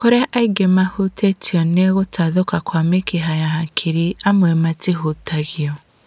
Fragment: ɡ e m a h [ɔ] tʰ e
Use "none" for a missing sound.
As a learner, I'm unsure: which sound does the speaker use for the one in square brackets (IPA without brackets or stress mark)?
u